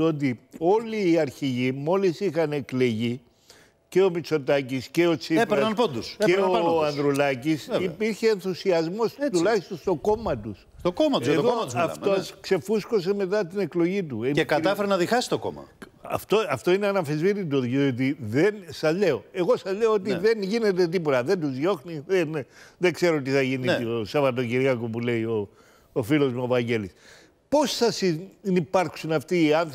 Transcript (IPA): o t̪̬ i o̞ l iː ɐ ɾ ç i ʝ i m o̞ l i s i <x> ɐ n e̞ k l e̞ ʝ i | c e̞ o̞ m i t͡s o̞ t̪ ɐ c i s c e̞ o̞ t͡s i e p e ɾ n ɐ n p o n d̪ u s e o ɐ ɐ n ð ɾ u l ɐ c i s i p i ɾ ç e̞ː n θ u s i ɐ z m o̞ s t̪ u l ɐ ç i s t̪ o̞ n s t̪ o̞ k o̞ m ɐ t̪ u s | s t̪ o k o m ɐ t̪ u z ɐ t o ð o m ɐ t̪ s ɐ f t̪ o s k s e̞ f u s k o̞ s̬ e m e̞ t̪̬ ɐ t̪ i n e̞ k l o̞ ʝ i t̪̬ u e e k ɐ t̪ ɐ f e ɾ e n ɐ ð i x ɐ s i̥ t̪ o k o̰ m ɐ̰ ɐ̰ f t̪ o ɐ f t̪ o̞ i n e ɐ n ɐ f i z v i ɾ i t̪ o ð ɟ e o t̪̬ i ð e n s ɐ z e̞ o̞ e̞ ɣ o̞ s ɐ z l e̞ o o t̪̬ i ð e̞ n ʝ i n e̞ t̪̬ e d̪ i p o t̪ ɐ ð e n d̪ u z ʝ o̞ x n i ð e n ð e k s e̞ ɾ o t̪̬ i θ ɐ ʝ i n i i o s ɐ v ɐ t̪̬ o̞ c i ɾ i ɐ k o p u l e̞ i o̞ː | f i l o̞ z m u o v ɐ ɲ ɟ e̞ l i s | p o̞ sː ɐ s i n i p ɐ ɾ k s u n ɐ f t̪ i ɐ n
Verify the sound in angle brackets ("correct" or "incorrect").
correct